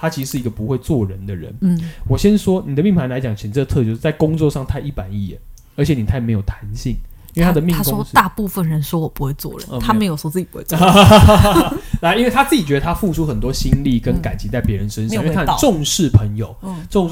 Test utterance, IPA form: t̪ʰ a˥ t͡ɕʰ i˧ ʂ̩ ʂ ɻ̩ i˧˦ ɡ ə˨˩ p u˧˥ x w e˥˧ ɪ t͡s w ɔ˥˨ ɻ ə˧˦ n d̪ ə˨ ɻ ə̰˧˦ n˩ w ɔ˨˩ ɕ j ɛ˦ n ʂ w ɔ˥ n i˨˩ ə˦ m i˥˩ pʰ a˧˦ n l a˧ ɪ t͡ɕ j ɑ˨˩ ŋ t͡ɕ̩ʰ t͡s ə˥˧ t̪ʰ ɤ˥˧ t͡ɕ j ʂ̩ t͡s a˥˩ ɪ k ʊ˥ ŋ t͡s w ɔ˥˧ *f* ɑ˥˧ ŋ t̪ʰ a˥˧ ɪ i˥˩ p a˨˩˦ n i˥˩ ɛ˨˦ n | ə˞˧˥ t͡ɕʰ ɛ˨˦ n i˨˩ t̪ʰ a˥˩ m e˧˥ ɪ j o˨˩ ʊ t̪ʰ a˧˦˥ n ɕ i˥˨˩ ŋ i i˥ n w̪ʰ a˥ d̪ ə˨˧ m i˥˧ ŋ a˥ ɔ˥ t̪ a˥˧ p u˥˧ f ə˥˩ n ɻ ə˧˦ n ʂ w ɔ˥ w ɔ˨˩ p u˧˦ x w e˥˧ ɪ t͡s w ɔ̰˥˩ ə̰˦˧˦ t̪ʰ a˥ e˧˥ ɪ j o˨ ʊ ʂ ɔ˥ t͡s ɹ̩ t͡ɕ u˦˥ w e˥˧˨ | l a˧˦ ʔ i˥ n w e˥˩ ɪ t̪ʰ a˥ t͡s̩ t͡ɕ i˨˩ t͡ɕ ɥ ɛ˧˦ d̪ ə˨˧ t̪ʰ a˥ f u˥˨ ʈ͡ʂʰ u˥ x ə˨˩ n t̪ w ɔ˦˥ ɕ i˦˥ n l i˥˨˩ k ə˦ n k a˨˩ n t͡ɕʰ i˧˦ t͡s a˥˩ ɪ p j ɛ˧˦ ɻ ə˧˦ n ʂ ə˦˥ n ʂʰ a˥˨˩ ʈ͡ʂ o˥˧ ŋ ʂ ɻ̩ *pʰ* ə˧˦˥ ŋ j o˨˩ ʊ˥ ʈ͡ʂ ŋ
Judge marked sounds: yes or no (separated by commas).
no, yes